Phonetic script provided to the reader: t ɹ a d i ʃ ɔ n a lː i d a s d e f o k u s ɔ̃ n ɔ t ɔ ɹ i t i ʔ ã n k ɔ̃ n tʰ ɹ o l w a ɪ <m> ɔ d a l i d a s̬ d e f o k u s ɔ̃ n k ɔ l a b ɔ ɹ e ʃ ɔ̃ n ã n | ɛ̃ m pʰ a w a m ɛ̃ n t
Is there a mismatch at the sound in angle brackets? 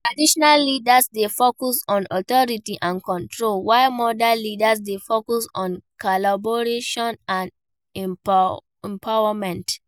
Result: no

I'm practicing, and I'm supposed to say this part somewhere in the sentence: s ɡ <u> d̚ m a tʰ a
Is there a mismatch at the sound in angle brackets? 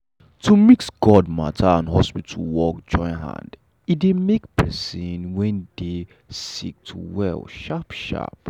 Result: yes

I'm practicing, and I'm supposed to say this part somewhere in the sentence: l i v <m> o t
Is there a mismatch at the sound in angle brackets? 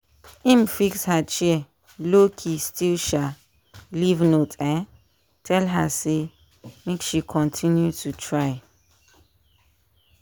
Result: yes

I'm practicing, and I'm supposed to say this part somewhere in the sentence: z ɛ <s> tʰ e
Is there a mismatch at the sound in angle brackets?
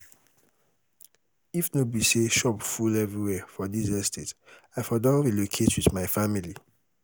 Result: no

